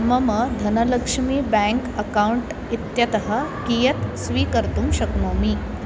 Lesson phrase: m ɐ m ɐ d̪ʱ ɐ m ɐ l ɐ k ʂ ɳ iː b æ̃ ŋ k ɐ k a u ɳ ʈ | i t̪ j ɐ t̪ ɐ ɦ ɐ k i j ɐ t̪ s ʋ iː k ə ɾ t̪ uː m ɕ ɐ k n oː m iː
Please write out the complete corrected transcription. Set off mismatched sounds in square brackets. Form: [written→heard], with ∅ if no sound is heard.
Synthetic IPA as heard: m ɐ m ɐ d̪ʱ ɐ [m→n] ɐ l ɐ k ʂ [ɳ→m] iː b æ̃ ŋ k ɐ k a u ɳ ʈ | i t̪ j ɐ t̪ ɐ ɦ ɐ k i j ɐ t̪ s ʋ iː k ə ɾ t̪ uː m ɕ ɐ k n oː m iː